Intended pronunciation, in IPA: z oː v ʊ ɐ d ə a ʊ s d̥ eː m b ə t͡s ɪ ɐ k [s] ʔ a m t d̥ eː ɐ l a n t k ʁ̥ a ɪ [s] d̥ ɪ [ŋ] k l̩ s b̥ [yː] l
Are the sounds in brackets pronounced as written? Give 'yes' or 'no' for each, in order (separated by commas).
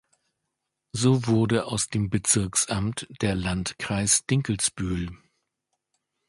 yes, yes, yes, yes